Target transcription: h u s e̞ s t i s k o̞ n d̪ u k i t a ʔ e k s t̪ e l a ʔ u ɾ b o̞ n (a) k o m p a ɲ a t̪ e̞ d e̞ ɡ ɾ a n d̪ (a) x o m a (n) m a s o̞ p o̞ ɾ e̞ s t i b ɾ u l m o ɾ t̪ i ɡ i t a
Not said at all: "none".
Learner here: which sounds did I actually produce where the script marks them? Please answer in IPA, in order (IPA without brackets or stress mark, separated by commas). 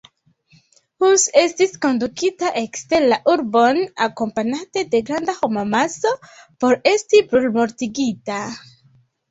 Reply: a, a, none